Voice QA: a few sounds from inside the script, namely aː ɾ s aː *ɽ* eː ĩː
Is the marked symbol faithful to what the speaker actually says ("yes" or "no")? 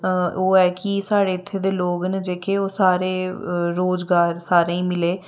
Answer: no